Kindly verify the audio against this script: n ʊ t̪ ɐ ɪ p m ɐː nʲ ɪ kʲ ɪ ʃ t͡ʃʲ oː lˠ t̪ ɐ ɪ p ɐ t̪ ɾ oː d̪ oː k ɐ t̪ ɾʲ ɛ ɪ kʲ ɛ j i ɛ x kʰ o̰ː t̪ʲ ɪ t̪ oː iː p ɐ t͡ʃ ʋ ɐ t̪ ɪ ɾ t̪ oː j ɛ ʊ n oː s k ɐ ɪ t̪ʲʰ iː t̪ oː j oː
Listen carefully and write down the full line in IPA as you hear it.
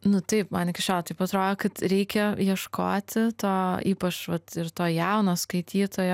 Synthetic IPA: n ʊ t̪ ɐ ɪ p m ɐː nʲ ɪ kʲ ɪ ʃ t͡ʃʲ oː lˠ t̪ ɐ ɪ p ɐ t̪ ɾ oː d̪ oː k ɐ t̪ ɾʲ ɛ ɪ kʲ ɛ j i ɛ ʃ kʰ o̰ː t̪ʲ ɪ t̪ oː iː p ɐ t͡ʃ ʋ ɐ t̪ ɪ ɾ t̪ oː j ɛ ʊ n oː s k ɐ ɪ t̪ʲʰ iː t̪ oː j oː